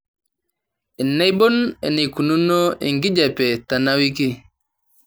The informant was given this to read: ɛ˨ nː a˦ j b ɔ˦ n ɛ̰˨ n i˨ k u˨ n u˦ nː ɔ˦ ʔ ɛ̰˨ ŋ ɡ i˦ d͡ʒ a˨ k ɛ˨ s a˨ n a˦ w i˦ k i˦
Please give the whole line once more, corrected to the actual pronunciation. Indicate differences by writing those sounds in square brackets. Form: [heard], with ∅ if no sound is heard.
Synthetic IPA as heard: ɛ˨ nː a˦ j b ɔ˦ n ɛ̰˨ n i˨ k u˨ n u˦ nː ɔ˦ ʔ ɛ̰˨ ŋ ɡ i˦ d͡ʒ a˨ [p] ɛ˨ [t] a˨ n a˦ w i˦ k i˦